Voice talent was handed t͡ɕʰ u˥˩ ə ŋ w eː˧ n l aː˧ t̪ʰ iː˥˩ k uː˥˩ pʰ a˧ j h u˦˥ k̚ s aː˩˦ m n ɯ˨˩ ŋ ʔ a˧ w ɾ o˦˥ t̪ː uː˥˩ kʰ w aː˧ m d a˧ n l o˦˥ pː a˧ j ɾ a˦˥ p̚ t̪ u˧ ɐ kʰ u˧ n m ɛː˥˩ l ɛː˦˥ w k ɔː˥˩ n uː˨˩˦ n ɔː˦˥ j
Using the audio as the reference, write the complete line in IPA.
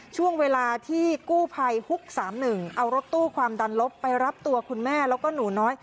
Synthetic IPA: t͡ɕʰ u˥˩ ə ŋ w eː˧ l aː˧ t̪ʰ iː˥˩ k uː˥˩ pʰ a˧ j h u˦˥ k̚ s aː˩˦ m n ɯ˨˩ ŋ ʔ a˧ w ɾ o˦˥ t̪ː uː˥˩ kʰ w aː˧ m d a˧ n l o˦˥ pː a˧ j ɾ a˦˥ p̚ t̪ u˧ ɐ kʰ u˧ n m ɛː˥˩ l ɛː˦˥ w k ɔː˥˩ n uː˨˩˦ n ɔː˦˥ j